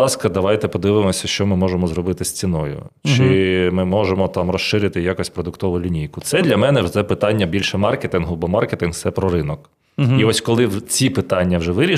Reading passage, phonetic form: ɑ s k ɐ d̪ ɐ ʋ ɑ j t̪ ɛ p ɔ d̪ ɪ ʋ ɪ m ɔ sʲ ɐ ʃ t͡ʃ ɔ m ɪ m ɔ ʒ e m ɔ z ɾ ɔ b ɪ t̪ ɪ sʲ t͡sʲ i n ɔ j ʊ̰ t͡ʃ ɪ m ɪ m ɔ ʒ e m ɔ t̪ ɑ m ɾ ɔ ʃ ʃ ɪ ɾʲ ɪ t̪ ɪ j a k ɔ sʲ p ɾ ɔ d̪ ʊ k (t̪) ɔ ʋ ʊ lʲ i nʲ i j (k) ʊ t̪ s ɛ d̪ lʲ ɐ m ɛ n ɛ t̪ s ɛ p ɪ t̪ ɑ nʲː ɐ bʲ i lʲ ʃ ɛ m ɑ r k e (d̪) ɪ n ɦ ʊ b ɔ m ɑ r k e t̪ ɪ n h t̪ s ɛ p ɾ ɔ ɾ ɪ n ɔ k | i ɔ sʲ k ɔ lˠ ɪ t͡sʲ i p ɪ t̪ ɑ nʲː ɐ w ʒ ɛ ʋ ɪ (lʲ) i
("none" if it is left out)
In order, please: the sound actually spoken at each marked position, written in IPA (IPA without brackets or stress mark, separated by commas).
t̪, k, t̪, ɾʲ